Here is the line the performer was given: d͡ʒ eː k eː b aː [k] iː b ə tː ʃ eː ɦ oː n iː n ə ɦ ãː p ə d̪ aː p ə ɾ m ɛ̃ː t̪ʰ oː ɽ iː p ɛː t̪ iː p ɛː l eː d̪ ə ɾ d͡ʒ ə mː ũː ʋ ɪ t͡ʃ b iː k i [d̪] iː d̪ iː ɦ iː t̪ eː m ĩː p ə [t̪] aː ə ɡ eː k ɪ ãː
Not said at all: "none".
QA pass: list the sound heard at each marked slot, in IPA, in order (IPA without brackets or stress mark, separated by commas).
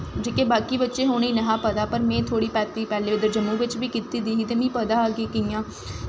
k, t̪, d̪